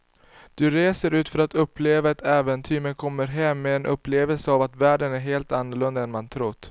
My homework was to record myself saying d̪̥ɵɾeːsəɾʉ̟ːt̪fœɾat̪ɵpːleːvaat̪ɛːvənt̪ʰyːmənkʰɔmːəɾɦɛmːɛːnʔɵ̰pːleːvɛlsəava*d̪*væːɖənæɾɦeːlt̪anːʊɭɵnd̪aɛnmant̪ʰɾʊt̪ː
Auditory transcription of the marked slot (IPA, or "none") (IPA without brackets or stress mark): t̪